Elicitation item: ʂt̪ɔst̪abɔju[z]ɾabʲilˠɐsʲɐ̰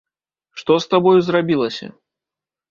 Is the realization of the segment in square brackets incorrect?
no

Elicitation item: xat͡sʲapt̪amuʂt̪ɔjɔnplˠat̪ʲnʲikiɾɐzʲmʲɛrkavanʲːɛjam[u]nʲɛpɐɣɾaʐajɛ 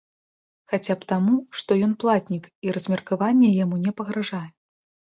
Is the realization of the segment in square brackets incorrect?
no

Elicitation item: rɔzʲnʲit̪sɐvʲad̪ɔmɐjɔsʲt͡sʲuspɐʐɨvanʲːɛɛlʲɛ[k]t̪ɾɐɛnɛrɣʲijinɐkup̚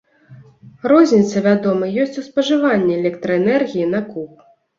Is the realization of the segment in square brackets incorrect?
no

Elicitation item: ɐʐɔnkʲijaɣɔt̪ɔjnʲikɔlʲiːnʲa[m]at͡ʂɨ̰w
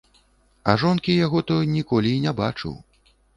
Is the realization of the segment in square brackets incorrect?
yes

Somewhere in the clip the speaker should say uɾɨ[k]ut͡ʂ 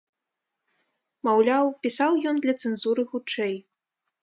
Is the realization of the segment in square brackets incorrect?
yes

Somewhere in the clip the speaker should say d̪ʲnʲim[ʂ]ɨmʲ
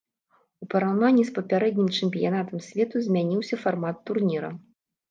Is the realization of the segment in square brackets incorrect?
yes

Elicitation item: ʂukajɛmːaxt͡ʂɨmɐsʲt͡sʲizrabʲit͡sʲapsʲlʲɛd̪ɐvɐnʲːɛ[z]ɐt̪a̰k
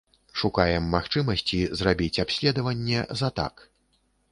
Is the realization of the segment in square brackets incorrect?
no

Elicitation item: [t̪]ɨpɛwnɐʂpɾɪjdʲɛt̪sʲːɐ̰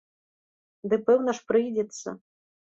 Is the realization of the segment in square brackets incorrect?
yes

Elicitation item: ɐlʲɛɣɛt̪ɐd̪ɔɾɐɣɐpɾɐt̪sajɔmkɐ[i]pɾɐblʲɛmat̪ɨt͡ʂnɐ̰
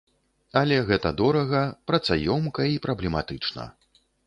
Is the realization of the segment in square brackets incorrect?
no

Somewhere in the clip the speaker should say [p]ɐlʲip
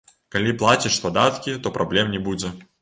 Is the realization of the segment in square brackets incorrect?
yes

